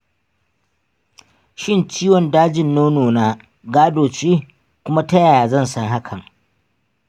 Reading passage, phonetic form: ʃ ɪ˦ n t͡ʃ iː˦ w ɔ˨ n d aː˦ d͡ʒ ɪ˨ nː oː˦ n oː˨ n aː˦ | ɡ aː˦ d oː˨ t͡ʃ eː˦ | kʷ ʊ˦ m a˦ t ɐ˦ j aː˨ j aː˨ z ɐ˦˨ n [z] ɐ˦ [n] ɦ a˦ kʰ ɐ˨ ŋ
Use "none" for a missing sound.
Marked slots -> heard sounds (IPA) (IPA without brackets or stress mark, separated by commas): s, ŋ